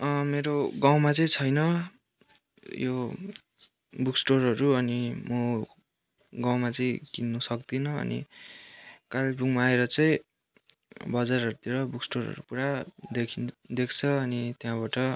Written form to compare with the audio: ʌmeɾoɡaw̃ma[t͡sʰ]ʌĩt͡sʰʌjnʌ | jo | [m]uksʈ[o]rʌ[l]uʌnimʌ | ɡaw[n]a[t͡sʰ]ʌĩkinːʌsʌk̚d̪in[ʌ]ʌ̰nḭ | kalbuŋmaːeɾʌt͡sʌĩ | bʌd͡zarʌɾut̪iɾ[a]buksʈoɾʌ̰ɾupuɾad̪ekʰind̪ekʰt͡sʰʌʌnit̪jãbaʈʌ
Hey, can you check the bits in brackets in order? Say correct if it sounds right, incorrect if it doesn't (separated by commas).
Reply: incorrect, incorrect, correct, incorrect, incorrect, incorrect, correct, incorrect